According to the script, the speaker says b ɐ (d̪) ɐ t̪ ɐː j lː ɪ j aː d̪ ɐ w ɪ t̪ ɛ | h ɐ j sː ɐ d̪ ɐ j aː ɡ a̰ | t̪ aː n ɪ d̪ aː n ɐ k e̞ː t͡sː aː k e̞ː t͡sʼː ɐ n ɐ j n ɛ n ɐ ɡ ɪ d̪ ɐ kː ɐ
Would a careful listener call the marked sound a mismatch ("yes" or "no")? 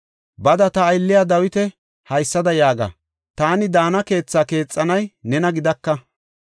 no